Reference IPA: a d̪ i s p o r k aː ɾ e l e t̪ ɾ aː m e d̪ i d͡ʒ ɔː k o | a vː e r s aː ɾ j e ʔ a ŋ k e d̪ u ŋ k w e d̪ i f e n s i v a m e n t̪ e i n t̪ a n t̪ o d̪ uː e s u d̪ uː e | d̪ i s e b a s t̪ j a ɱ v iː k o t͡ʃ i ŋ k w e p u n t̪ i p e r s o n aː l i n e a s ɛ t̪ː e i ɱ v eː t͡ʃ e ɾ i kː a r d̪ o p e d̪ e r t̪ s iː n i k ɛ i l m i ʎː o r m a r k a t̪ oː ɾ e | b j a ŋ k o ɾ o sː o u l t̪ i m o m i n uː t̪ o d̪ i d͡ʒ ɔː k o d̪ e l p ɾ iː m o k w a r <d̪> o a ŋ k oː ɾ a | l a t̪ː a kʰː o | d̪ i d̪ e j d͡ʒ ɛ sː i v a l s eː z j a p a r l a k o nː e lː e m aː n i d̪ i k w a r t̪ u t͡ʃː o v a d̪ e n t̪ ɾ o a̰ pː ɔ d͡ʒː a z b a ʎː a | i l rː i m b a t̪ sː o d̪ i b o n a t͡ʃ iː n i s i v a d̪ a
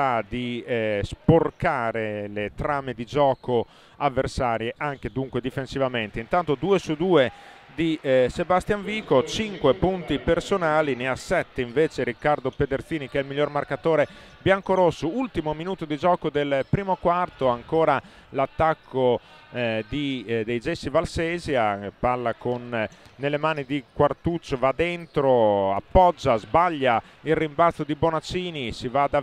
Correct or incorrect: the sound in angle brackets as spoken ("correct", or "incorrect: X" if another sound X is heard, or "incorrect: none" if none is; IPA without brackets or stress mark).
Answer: incorrect: t̪